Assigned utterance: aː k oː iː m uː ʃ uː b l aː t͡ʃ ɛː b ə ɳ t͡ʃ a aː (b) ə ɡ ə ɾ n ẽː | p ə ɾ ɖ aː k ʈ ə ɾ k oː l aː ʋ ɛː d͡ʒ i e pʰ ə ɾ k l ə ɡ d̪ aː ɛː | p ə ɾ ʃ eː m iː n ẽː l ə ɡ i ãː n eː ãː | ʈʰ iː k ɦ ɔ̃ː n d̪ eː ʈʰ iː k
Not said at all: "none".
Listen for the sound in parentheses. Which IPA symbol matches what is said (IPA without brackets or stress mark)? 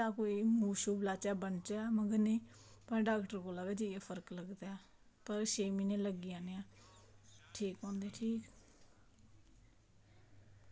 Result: m